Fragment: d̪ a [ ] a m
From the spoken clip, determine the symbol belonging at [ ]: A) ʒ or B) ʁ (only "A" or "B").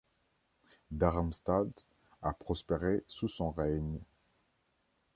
B